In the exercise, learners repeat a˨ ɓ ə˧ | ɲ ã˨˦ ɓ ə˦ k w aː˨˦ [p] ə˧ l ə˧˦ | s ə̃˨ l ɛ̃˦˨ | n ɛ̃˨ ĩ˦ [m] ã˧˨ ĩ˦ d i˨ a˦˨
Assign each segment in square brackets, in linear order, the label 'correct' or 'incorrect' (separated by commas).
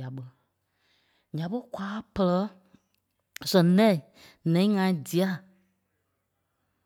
correct, incorrect